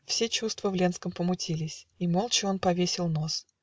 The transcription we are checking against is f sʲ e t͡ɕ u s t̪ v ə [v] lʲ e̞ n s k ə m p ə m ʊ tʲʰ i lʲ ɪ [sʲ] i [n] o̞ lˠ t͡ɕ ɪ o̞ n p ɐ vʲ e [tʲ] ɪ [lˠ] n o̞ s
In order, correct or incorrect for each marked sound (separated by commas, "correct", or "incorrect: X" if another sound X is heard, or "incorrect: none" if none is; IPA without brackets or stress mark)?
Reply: correct, correct, incorrect: m, incorrect: sʲ, correct